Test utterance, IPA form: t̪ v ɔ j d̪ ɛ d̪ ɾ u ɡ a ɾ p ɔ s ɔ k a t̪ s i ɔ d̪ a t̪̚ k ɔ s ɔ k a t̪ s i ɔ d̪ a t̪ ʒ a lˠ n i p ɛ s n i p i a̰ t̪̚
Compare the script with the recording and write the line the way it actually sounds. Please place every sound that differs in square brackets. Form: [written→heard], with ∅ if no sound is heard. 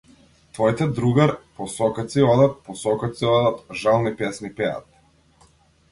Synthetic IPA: t̪ v ɔ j [d̪→t̪] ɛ d̪ ɾ u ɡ a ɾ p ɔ s ɔ k a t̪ s i ɔ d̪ a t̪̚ [k→p] ɔ s ɔ k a t̪ s i ɔ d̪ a t̪ ʒ a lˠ n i p ɛ s n i p [i→ɛ] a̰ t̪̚